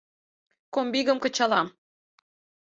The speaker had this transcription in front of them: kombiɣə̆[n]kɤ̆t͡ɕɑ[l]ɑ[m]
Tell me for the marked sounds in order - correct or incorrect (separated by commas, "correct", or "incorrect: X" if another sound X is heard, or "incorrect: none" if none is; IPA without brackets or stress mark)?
incorrect: m, correct, correct